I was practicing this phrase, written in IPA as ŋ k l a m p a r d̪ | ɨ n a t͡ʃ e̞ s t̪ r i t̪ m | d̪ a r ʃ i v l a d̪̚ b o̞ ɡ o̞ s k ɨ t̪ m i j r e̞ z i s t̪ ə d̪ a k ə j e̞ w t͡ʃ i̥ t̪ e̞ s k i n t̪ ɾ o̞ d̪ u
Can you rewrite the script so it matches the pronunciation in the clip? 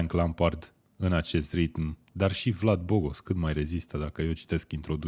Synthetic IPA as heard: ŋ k l a m p a r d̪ | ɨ n a t͡ʃ e̞ s t̪ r i t̪ m | d̪ a r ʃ i v l a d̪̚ b o̞ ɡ o̞ s k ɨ t̪ m a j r e̞ z i s t̪ ə d̪ a k ə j e̞ w t͡ʃ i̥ t̪ e̞ s k i n t̪ ɾ o̞ d̪ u